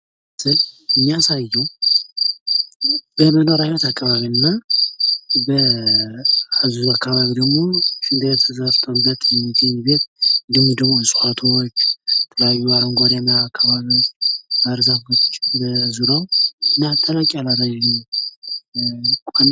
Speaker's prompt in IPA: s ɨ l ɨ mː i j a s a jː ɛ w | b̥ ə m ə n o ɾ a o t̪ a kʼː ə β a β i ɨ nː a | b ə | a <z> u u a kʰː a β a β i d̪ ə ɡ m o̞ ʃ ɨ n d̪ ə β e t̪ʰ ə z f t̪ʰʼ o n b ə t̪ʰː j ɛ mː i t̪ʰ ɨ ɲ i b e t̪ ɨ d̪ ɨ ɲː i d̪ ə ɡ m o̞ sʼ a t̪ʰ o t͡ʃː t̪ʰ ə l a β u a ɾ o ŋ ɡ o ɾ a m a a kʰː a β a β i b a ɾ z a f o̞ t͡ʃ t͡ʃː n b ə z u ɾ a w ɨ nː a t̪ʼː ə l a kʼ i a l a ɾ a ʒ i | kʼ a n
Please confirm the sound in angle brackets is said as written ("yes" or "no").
yes